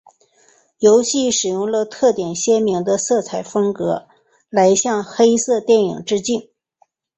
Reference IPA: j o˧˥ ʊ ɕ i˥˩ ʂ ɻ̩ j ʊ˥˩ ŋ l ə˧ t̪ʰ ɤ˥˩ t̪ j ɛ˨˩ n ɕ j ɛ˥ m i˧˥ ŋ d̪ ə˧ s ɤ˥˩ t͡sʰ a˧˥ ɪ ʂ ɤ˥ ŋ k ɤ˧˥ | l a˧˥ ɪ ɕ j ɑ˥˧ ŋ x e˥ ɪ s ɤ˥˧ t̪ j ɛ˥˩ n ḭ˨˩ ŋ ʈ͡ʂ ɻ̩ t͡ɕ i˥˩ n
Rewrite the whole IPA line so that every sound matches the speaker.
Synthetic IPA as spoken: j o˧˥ ʊ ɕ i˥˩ ʂ ɻ̩ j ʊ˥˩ ŋ l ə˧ t̪ʰ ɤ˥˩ t̪ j ɛ˨˩ n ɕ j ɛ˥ m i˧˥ ŋ d̪ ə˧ s ɤ˥˩ t͡sʰ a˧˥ ɪ f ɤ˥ ŋ k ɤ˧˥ | l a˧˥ ɪ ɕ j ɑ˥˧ ŋ x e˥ ɪ s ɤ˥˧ t̪ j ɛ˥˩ n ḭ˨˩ ŋ ʈ͡ʂ ɻ̩ t͡ɕ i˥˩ n